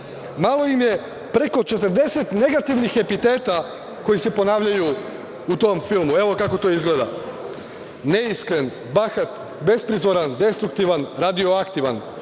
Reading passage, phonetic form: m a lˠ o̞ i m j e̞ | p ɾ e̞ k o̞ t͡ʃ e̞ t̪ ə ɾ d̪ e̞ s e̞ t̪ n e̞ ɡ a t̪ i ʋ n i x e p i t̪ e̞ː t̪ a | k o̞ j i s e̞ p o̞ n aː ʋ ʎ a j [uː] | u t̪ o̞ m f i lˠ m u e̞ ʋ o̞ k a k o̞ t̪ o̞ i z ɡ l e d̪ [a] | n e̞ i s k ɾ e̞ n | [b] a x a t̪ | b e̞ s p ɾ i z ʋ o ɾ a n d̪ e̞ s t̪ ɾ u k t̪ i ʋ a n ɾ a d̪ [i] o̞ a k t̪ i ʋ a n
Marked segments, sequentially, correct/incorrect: incorrect: u, correct, correct, correct

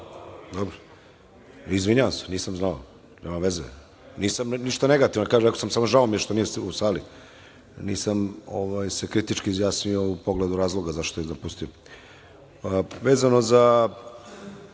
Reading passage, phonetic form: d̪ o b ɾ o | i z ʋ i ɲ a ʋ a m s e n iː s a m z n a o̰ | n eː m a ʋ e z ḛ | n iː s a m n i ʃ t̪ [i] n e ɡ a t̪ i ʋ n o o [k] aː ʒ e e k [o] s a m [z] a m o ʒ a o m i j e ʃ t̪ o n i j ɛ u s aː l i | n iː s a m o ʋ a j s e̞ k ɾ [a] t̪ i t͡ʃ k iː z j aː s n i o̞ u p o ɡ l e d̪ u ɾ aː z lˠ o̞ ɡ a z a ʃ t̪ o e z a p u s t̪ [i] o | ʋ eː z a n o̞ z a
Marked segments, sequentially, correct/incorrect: incorrect: a, correct, correct, incorrect: s, incorrect: i, correct

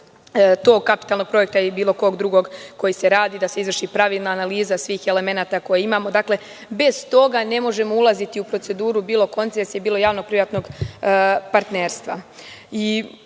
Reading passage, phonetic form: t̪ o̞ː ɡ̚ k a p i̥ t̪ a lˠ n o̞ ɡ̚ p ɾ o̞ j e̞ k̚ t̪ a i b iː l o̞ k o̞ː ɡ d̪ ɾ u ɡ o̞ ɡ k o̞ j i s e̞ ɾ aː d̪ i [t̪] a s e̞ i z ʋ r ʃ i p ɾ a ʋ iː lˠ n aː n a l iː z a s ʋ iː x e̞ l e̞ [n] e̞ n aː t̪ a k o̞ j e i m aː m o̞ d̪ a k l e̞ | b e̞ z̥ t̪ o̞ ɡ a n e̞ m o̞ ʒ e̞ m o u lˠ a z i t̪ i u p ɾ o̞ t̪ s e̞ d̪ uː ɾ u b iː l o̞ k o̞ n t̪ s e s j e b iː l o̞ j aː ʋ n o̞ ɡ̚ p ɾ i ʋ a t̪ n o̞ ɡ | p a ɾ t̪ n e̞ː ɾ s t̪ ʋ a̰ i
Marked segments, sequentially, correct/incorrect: incorrect: d̪, incorrect: m

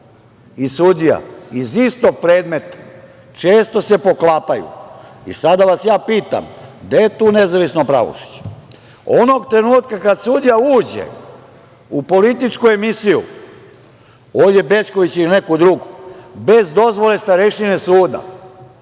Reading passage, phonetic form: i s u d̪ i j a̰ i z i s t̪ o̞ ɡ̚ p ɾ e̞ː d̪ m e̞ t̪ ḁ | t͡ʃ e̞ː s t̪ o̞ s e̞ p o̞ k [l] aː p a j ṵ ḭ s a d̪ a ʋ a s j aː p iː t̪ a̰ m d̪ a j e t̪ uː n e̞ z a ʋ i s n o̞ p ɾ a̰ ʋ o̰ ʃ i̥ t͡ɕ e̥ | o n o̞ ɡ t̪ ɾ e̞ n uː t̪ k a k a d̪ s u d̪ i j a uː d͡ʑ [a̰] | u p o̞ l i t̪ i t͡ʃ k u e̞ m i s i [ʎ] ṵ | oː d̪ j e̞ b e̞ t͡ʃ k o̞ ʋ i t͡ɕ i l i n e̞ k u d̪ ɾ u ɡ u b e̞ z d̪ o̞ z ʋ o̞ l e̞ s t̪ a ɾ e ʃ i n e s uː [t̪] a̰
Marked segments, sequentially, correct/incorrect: correct, incorrect: ḛ, incorrect: j, incorrect: d̪

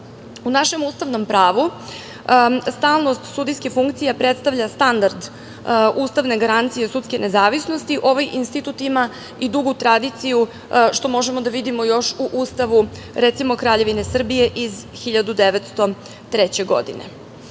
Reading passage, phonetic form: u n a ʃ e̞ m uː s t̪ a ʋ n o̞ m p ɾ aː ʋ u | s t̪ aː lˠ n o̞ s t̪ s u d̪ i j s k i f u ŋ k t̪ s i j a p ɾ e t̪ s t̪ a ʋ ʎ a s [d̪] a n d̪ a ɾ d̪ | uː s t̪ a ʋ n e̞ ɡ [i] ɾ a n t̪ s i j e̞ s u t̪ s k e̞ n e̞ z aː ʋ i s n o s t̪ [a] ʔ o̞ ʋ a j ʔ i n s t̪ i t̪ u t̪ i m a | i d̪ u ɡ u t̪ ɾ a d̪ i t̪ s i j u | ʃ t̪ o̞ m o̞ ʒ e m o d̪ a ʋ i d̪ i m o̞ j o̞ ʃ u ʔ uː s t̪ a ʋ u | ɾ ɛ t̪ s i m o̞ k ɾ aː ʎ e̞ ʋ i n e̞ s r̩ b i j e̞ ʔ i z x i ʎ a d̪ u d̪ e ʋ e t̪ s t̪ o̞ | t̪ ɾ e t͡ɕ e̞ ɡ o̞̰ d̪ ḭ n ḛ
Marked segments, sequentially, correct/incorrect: incorrect: t̪, incorrect: a, incorrect: i

